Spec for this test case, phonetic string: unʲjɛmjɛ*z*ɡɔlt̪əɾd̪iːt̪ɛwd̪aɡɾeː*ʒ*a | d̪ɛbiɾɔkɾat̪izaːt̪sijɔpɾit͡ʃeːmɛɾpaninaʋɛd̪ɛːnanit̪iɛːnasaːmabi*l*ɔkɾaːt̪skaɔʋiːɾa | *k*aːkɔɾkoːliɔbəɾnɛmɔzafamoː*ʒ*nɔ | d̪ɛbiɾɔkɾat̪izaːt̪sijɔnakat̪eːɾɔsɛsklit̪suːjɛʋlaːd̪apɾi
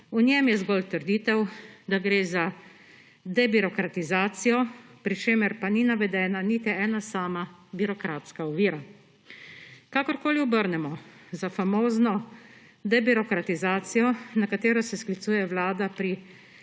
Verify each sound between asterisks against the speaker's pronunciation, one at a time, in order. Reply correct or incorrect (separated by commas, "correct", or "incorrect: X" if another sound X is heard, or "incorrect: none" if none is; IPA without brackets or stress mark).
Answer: correct, incorrect: z, incorrect: ɾ, correct, incorrect: z